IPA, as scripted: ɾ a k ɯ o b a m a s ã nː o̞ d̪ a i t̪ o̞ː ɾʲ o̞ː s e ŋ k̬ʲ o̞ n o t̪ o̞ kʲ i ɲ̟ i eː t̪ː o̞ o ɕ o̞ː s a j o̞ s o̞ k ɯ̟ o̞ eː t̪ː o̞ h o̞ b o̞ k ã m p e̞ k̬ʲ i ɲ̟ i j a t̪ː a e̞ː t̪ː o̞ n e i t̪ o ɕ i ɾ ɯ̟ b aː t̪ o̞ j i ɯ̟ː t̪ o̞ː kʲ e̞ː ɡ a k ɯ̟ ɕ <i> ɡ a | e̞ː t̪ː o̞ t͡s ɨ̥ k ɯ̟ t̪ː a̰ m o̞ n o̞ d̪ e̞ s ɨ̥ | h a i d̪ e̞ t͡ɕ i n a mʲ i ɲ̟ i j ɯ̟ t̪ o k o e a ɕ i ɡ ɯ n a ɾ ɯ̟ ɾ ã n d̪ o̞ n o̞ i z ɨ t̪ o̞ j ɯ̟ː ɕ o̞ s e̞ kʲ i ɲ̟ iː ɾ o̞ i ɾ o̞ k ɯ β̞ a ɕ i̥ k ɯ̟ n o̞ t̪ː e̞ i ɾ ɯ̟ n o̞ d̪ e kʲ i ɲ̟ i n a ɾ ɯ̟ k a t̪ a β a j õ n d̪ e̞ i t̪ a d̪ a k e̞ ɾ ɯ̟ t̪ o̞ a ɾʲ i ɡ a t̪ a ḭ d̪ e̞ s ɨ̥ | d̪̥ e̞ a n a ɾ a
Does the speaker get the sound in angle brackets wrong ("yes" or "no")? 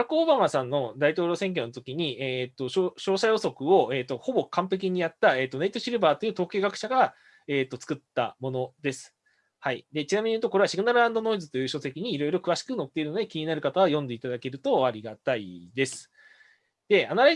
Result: yes